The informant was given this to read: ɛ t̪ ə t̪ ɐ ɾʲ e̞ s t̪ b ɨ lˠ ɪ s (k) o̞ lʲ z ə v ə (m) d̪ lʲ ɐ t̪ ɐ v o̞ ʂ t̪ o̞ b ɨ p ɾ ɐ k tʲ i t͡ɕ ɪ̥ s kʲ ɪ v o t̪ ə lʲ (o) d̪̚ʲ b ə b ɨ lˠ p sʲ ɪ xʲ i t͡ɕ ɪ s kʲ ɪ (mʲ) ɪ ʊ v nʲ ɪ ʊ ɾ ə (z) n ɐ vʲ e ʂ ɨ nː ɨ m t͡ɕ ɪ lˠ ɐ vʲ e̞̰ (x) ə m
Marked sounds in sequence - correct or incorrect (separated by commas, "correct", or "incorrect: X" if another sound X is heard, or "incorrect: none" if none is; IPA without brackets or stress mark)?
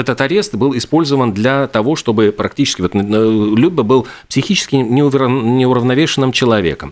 incorrect: p, incorrect: n, incorrect: u, incorrect: nʲ, incorrect: v, incorrect: k